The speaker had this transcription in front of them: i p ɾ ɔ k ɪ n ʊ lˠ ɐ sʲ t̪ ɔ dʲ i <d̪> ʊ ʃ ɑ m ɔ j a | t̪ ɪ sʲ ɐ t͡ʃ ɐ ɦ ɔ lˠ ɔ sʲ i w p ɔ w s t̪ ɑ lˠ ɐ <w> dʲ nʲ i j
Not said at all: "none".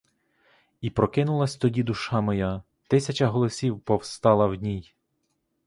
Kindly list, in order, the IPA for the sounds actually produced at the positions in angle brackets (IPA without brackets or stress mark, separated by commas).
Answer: d̪, w